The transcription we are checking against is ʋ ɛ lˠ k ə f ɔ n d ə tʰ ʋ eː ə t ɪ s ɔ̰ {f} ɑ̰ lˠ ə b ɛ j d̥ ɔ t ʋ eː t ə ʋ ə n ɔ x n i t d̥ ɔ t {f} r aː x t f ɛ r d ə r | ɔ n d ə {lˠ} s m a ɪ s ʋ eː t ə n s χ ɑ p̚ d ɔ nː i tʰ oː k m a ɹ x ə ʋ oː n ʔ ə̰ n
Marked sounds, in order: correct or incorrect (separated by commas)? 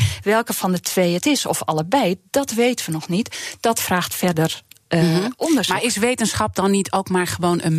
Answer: correct, correct, incorrect